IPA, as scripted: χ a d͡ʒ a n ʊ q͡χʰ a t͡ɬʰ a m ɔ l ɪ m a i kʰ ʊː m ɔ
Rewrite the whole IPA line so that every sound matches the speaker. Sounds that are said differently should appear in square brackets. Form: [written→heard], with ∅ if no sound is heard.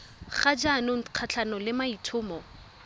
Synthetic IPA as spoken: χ a d͡ʒ a n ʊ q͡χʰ a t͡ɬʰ a [m→n] ɔ l ɪ m a i [kʰ→tʰ] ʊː m ɔ